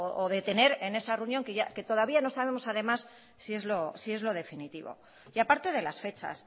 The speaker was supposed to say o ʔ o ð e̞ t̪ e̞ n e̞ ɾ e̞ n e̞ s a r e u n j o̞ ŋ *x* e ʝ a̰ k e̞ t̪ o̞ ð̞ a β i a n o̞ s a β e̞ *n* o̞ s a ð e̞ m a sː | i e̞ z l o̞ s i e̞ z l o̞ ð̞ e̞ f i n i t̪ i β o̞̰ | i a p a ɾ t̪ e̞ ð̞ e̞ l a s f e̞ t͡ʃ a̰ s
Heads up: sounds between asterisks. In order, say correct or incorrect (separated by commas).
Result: incorrect, incorrect